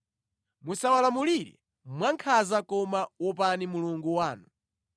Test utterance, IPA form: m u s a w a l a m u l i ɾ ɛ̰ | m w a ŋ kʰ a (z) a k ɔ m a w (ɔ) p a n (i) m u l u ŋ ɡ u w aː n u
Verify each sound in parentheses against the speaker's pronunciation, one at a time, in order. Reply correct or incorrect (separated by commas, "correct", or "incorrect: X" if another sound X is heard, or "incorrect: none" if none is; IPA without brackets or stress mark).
correct, correct, correct